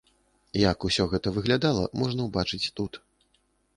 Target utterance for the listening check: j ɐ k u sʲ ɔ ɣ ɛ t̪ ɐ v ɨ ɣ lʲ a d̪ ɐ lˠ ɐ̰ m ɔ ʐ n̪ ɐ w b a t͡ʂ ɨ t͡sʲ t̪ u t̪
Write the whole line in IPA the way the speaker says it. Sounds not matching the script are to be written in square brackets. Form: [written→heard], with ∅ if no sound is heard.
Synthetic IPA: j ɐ k u sʲ ɔ ɣ ɛ t̪ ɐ v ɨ ɣ lʲ a d̪ [ɐ→a] lˠ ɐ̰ m ɔ ʐ n̪ ɐ w b a t͡ʂ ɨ t͡sʲ t̪ u t̪